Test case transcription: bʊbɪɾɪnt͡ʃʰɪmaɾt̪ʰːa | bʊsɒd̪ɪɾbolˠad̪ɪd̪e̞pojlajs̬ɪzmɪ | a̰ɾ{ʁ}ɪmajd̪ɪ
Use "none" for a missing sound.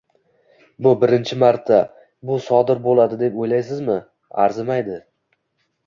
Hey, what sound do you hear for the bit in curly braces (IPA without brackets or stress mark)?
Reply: z